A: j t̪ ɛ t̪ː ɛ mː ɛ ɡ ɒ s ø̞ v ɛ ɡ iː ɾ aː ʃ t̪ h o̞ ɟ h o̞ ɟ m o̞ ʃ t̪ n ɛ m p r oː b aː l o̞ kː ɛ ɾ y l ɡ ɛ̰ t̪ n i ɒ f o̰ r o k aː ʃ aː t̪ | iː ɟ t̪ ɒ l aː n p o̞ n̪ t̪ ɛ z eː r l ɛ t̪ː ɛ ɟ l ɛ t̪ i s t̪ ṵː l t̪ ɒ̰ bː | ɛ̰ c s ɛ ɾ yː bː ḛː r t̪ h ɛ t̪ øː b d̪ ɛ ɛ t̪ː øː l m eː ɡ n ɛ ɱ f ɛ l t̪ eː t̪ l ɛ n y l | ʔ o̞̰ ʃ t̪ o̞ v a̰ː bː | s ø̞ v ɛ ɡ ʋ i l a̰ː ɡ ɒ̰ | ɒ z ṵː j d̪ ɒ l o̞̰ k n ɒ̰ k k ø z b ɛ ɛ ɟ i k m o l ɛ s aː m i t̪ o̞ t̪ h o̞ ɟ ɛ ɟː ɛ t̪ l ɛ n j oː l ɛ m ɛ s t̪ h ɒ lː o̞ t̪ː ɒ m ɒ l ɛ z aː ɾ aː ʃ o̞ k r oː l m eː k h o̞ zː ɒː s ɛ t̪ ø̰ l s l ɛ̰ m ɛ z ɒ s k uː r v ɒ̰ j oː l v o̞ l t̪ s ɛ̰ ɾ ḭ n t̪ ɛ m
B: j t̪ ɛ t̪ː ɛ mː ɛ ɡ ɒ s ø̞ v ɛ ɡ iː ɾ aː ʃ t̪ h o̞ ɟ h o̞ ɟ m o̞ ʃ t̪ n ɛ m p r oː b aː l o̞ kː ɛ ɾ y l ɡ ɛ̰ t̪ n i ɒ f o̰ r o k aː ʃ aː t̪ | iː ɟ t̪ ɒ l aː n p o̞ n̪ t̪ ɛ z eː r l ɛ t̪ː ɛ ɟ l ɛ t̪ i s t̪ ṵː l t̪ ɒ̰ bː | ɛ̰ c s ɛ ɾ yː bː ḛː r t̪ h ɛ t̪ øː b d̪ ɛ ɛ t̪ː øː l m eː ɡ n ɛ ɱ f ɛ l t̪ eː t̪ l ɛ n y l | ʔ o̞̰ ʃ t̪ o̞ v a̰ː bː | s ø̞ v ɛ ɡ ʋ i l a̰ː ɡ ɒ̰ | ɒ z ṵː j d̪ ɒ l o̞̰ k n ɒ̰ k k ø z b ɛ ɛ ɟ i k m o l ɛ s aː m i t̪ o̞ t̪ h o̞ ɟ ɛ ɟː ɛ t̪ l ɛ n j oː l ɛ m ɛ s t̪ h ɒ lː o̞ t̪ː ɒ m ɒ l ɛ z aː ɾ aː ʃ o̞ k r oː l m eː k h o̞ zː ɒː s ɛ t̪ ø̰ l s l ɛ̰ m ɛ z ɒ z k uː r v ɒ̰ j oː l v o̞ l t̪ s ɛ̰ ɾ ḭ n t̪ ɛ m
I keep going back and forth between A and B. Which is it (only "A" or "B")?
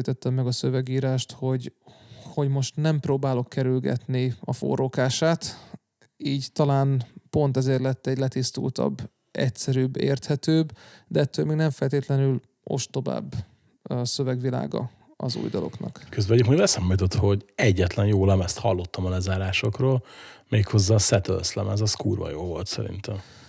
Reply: A